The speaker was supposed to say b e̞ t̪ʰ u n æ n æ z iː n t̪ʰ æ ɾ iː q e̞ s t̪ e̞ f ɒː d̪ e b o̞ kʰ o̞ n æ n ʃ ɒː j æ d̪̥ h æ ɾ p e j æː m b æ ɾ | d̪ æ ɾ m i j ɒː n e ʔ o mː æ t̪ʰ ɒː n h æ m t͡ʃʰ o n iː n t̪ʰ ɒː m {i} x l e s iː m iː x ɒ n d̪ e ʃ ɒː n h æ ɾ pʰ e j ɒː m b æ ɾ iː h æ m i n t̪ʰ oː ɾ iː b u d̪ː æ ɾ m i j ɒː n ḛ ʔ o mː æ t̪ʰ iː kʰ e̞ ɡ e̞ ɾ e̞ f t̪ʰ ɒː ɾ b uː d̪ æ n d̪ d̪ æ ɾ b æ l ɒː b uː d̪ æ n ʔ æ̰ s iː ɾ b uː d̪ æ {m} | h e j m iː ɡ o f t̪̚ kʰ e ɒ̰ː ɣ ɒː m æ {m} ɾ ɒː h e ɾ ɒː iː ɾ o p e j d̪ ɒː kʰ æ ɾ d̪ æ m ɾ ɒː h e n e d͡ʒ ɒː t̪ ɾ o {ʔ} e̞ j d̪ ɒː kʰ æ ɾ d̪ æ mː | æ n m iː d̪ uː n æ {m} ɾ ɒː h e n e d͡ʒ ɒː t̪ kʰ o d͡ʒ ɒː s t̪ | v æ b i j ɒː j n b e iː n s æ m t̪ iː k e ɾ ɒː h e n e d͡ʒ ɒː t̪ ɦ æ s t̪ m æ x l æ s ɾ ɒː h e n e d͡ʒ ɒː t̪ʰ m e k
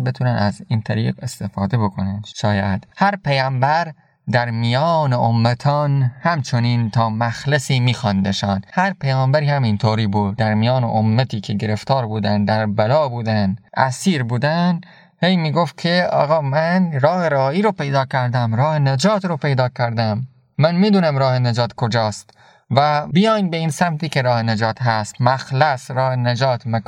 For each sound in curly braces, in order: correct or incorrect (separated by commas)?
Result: incorrect, incorrect, incorrect, incorrect, correct